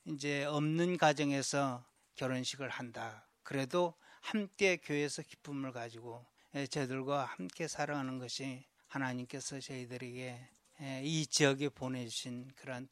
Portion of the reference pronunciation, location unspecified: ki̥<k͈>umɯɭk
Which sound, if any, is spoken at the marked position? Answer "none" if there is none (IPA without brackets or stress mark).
p͈